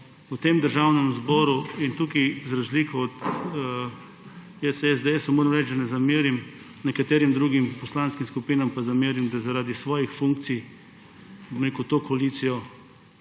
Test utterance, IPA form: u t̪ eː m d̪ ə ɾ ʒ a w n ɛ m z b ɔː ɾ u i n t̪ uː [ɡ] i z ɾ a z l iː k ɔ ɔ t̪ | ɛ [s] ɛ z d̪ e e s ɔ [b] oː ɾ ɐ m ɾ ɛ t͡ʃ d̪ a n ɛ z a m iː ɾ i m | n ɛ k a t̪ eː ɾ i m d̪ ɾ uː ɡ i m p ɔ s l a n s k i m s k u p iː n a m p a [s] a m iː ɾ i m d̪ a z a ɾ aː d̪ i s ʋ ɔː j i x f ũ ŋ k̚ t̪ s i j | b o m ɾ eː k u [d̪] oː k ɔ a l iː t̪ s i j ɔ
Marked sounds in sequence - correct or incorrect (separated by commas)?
incorrect, correct, incorrect, incorrect, incorrect